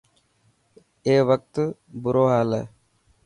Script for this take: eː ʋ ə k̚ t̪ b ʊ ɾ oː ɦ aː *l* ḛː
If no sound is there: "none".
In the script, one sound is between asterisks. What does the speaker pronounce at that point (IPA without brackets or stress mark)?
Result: l